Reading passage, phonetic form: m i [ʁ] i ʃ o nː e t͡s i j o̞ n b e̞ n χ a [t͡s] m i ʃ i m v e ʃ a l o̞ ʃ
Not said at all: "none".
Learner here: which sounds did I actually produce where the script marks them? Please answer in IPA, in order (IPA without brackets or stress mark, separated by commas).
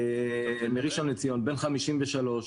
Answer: ʁ, none